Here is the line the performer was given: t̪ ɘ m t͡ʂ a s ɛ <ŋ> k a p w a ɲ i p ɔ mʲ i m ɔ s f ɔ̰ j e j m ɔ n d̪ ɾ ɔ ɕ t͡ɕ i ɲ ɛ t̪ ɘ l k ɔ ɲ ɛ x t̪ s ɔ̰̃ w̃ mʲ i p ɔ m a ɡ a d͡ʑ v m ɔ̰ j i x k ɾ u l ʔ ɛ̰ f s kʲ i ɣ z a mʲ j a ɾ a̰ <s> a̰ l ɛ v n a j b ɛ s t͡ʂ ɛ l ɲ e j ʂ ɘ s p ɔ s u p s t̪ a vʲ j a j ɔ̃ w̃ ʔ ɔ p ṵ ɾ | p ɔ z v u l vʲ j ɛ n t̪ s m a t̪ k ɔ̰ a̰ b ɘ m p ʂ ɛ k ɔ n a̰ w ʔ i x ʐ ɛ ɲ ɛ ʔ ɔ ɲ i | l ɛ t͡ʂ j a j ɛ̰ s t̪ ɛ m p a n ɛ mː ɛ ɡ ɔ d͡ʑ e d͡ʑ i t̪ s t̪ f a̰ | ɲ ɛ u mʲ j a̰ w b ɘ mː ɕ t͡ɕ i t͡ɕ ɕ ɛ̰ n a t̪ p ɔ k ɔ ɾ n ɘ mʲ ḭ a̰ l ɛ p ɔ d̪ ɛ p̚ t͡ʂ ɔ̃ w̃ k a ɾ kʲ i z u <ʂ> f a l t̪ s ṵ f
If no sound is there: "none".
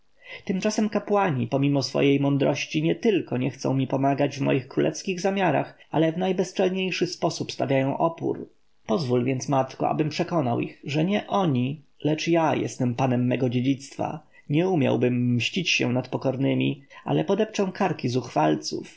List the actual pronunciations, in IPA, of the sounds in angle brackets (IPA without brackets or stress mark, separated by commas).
m, x, x